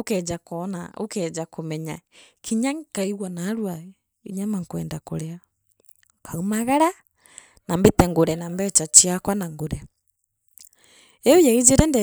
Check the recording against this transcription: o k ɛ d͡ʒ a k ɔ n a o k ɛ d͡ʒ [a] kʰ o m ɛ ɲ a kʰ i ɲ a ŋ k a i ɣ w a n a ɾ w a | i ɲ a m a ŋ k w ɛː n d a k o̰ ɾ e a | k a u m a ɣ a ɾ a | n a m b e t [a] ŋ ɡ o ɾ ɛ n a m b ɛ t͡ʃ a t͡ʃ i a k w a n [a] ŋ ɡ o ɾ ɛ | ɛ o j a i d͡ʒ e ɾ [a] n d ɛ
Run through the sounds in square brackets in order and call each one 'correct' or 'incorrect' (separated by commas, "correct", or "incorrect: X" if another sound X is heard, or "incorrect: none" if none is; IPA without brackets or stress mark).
correct, incorrect: ɛ, correct, incorrect: ɛ